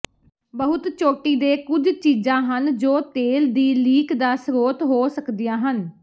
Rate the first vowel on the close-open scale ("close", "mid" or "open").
mid